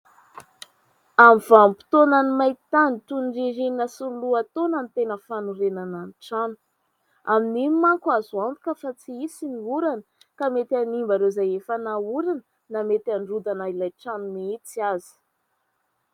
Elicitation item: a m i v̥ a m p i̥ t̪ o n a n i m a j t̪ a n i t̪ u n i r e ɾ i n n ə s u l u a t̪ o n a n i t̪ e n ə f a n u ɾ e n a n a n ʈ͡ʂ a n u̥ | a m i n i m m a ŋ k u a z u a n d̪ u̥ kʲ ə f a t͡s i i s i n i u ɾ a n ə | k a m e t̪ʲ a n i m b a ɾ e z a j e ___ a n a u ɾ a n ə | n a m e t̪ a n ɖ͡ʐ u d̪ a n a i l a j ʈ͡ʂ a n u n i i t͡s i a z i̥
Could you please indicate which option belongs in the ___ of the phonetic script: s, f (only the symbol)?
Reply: f